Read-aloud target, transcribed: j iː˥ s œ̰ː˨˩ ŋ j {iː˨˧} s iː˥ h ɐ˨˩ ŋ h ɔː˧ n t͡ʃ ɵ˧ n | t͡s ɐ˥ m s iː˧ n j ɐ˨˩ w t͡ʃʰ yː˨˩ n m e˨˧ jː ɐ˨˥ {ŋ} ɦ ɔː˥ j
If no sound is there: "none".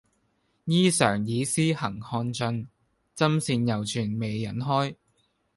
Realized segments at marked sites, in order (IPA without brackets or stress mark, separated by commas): iː˨˧, n